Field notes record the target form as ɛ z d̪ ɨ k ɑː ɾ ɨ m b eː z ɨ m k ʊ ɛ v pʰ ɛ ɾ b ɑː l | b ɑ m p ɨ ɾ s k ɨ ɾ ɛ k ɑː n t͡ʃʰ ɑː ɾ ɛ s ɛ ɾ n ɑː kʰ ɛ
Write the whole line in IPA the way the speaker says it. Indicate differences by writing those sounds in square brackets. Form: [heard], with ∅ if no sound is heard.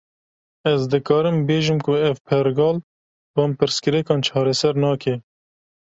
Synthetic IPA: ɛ z d̪ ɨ k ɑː ɾ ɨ m b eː [ʒ] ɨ m k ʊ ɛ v pʰ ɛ ɾ [ɡ] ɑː l | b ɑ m p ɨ ɾ s k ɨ ɾ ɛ k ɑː n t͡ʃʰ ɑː ɾ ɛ s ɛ ɾ n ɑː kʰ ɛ